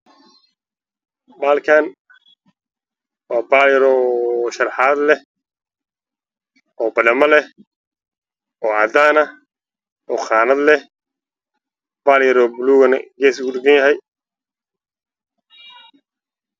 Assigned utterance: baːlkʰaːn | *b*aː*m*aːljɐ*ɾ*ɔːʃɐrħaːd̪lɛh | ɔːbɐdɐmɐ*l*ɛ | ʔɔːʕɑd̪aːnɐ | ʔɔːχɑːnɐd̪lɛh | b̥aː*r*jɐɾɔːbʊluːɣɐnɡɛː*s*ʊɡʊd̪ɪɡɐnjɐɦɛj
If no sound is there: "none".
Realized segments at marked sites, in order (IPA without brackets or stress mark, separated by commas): w, b, ɾ, l, l, s